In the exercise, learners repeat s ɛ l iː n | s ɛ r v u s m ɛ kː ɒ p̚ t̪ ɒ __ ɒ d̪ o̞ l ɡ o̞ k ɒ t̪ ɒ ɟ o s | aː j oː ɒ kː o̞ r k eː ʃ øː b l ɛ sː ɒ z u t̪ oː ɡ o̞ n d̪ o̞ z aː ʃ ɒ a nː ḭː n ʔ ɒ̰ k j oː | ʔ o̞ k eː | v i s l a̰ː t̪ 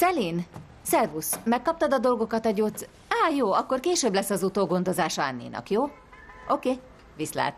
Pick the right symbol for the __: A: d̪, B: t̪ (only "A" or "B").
A